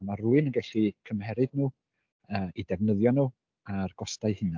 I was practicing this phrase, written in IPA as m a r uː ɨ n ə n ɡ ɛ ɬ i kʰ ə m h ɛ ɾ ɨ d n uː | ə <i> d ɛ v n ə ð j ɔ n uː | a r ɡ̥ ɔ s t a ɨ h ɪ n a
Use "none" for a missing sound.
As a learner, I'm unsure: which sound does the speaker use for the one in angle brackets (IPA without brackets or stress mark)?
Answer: i